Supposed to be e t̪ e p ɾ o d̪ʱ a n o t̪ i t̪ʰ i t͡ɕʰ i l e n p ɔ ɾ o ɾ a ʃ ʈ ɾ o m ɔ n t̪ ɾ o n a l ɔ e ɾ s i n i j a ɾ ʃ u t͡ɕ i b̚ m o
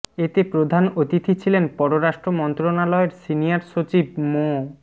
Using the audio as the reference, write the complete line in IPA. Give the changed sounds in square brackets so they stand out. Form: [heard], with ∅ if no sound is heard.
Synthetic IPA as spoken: e t̪ e p ɾ o d̪ʱ a n o t̪ i t̪ʰ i t͡ɕʰ i l e n p ɔ ɾ o ɾ a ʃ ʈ ɾ o m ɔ n t̪ ɾ o n a l ɔ e ɾ s i n i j a ɾ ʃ [o] t͡ɕ i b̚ m o